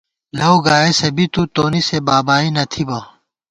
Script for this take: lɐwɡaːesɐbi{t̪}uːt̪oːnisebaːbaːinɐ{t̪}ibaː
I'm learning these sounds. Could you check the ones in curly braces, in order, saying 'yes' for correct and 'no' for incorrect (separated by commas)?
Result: yes, no